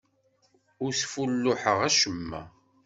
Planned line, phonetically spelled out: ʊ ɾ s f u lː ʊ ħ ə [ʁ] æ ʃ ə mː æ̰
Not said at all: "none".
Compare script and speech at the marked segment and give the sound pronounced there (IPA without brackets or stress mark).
ʁ